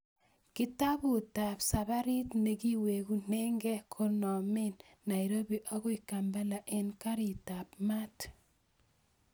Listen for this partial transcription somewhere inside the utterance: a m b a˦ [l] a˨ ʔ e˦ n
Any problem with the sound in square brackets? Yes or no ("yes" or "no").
no